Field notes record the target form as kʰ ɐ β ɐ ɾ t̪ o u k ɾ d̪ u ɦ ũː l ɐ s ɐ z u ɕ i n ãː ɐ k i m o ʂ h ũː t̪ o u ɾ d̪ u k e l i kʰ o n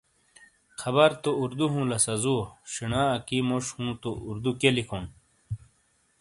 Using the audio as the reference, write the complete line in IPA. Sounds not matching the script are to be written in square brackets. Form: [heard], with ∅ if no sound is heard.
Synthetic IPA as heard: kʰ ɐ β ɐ ɾ t̪ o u [∅] ɾ d̪ u ɦ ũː l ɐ s ɐ z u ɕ i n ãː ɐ k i m o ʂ h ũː t̪ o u ɾ d̪ u k e l i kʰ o n